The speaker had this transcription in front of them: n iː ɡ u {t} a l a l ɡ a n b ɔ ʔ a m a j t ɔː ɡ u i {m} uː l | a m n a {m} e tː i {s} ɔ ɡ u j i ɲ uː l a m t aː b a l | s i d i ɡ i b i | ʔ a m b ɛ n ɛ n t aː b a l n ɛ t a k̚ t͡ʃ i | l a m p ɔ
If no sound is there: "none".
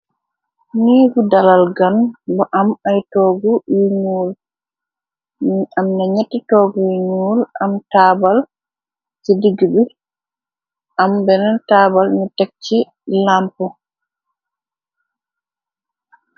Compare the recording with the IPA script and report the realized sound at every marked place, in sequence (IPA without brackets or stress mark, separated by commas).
d, ɲ, ɲ, t